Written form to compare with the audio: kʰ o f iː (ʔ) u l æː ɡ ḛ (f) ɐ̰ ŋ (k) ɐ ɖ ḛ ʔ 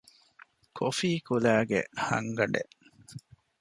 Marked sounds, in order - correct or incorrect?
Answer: incorrect, incorrect, incorrect

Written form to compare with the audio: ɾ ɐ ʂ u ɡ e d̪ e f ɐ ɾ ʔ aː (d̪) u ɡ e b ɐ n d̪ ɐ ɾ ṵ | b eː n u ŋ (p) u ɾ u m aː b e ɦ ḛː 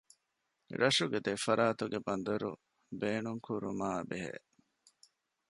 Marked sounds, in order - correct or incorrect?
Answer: incorrect, incorrect

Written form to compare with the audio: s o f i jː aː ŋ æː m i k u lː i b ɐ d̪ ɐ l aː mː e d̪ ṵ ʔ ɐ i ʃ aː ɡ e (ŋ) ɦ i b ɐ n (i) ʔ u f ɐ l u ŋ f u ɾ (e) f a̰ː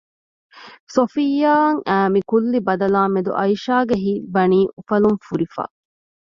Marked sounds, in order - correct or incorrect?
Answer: incorrect, incorrect, incorrect

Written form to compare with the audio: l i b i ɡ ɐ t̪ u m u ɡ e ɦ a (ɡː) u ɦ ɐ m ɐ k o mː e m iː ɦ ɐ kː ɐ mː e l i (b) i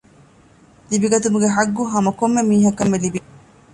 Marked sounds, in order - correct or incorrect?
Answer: correct, correct

